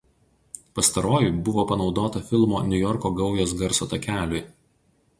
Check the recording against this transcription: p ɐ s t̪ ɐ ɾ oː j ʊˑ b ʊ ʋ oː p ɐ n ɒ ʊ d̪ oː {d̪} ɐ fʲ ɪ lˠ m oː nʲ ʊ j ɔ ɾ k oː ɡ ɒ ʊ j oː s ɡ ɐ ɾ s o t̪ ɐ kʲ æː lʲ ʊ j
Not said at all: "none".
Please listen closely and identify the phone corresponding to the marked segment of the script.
t̪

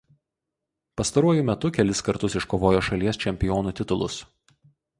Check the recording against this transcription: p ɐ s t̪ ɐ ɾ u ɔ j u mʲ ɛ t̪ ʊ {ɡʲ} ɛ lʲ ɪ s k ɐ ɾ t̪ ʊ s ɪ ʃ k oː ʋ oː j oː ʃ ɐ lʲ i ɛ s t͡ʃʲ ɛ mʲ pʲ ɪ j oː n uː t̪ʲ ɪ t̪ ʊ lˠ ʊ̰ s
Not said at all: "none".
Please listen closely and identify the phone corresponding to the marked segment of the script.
kʲ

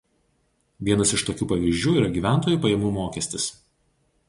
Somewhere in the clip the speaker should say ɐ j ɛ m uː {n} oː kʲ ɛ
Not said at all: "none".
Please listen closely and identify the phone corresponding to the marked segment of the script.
m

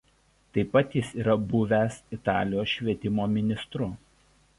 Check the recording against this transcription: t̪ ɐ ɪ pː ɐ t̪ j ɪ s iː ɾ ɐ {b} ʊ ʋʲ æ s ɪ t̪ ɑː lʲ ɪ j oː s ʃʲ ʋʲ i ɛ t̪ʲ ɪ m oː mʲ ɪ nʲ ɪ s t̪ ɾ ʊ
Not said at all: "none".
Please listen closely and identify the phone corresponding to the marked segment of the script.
b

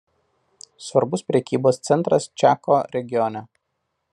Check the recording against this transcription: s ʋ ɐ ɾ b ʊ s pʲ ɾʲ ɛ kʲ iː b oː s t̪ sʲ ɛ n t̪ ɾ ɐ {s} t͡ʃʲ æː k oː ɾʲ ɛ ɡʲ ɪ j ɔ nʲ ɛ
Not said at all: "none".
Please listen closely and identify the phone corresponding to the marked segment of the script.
s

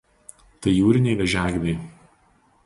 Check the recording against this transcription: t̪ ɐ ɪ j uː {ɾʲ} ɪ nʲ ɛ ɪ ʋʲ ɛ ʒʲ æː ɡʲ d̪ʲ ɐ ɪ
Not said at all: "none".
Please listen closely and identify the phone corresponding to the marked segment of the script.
ɾʲ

